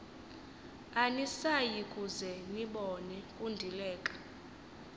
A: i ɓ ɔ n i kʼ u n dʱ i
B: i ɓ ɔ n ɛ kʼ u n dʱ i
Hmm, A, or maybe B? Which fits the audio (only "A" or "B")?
B